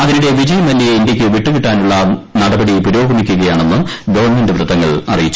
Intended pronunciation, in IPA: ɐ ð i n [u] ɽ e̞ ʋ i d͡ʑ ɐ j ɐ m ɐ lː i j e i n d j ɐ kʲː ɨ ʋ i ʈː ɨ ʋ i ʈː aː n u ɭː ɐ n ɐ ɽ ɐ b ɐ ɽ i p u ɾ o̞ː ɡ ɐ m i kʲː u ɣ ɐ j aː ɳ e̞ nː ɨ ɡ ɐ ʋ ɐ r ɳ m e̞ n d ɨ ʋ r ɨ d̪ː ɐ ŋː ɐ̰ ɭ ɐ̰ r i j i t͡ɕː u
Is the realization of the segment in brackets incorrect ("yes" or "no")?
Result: no